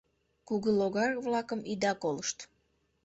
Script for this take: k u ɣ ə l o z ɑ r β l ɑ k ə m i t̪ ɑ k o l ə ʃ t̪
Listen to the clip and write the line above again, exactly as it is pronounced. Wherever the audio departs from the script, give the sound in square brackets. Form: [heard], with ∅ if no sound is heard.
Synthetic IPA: k u ɣ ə l o [ɣ] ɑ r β l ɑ k ə m i [d̪] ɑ k o l ə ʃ t̪